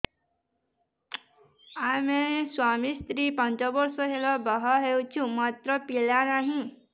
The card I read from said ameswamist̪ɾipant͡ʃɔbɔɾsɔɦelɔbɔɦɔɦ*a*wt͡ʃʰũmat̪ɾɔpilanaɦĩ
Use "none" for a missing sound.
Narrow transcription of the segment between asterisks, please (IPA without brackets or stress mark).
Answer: e